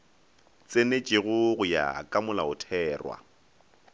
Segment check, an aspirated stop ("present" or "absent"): present